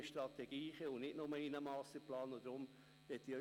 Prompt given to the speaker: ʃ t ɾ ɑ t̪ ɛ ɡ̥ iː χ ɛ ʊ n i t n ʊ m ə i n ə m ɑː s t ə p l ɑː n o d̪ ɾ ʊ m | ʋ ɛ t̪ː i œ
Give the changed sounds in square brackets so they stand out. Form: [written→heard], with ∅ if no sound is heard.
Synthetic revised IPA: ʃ t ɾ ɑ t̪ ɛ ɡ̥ iː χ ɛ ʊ n [i→ɪ] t n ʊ m ə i n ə m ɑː s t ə p l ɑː n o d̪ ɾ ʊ m | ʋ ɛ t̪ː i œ